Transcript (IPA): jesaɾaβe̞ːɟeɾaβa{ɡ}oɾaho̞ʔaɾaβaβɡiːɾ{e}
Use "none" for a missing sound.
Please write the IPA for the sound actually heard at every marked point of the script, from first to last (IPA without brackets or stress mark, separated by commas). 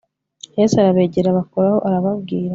k, a